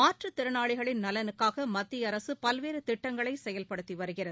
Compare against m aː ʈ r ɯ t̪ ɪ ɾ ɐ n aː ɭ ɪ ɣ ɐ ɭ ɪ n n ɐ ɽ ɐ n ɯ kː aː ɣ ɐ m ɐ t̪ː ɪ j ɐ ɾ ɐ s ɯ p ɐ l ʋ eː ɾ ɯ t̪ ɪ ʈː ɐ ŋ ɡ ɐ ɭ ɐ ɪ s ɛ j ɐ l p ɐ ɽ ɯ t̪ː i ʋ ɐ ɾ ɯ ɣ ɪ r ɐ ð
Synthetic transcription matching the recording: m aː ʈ r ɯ t̪ ɪ ɾ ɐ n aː ɭ ɪ ɣ ɐ ɭ ɪ n n ɐ l ɐ n ɯ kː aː ɣ ɐ m ɐ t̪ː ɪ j ɐ ɾ ɐ s ɯ p ɐ l ʋ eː ɾ ɯ t̪ ɪ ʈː ɐ ŋ ɡ ɐ ɭ ɐ ɪ s ɛ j ɐ l p ɐ ɽ ɯ t̪ː i ʋ ɐ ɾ ɯ ɣ ɪ r ɐ ð